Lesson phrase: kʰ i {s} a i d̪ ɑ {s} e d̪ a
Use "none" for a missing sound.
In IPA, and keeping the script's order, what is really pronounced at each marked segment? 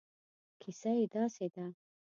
s, s

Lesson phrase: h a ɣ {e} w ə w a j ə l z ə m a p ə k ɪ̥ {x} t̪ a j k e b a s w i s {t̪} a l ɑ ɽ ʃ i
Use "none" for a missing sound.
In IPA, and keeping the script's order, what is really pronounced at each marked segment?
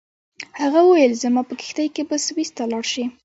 a, x, t̪

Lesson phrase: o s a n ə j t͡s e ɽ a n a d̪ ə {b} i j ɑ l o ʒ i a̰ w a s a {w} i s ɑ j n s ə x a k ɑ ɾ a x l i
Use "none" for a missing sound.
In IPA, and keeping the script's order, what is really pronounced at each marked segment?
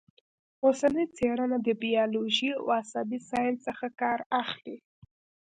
b, b

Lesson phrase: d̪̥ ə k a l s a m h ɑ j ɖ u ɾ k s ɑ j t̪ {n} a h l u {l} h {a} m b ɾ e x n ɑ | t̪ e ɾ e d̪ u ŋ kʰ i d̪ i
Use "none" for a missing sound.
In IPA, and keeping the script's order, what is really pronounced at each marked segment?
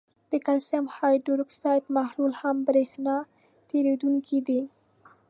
m, l, a

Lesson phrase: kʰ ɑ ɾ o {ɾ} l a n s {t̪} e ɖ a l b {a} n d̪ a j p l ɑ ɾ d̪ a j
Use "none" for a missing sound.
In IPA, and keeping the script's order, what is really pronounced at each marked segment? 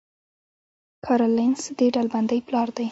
none, d̪, a

